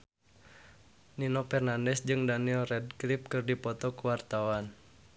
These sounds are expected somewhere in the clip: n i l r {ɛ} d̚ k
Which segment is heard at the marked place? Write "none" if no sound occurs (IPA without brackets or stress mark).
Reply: ɛ